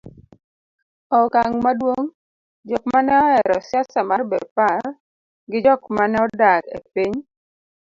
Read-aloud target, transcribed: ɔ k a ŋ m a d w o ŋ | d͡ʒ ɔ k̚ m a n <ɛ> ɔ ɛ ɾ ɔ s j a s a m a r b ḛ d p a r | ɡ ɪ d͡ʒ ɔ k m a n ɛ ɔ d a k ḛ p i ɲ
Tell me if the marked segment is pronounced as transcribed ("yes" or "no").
yes